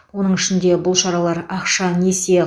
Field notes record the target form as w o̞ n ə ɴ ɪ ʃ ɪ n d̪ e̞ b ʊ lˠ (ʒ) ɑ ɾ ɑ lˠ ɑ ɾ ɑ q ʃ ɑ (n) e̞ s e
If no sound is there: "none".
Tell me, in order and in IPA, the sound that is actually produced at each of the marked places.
ʃ, n

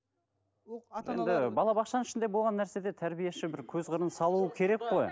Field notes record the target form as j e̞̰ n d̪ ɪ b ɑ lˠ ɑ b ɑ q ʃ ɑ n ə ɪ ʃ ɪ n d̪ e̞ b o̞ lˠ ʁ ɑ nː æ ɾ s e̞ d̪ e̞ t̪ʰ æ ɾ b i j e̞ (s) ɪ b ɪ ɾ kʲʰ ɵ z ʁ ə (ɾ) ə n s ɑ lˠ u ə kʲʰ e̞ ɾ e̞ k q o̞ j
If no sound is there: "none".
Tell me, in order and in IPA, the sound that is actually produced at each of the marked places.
ʃ, ɾ

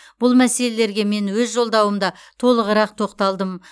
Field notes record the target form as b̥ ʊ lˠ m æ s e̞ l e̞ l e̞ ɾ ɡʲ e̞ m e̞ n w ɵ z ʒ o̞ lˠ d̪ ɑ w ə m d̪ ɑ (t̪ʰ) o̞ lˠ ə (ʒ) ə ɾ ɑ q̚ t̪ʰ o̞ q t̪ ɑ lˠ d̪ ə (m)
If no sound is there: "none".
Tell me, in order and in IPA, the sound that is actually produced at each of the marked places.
t̪ʰ, ʁ, m

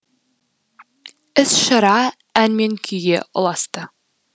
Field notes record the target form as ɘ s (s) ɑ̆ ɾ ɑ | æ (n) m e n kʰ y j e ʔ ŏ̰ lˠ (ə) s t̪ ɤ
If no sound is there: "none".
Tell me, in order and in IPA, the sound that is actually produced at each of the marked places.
ʃ, n, ɑ

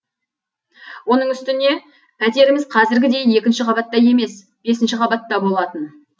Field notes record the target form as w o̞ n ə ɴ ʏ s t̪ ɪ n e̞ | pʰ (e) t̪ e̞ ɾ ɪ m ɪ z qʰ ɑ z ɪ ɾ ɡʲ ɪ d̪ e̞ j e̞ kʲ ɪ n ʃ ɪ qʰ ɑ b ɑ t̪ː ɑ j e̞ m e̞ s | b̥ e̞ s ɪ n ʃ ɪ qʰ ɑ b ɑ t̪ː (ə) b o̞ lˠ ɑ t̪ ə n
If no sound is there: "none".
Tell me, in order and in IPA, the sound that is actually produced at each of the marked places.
æ, ɑ

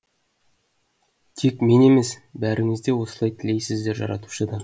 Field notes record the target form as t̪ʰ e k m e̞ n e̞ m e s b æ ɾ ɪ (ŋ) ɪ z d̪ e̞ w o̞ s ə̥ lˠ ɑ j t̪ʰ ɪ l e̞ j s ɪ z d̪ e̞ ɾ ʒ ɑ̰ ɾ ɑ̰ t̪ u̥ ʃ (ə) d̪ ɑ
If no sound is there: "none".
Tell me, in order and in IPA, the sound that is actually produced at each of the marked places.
ŋ, ə

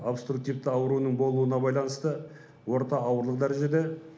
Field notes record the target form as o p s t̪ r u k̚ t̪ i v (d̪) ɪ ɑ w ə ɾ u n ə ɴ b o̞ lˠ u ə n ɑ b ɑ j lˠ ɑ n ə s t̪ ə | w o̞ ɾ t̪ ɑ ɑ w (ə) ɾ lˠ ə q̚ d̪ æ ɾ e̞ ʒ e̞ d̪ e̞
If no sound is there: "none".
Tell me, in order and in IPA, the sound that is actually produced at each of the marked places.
t̪, ə

